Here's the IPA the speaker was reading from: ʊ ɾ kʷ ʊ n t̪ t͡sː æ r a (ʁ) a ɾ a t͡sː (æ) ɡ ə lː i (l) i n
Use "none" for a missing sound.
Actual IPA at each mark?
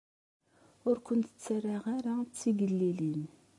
ʁ, i, l

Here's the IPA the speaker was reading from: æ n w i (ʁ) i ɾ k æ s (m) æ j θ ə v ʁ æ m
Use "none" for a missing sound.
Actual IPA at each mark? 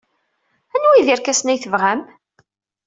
ð, n

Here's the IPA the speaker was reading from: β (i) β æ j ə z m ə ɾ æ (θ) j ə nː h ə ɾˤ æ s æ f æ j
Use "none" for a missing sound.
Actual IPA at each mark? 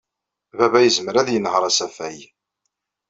æ, ð

